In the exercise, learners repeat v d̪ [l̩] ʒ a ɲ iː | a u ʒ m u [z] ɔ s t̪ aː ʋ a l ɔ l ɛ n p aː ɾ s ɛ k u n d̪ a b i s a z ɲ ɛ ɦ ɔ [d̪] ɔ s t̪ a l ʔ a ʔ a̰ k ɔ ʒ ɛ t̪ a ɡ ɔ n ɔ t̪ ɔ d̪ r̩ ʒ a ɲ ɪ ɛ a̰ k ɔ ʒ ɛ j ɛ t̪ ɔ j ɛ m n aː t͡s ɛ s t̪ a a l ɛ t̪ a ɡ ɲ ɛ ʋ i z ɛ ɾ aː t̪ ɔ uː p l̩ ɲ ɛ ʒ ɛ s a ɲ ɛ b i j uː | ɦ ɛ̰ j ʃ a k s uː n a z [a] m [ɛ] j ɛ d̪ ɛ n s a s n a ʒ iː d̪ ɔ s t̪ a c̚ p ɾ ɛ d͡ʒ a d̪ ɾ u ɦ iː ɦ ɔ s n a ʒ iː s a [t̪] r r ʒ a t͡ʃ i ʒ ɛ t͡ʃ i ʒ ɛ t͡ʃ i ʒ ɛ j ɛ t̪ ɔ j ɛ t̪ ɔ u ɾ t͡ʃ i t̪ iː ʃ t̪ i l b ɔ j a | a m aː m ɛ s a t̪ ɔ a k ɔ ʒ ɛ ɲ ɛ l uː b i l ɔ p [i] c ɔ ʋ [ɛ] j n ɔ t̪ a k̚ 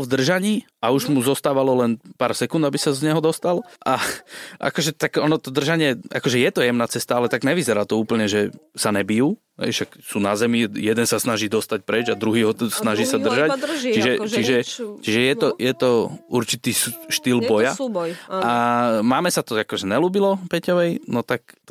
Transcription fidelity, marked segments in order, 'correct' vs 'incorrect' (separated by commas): incorrect, correct, correct, incorrect, incorrect, incorrect, incorrect, correct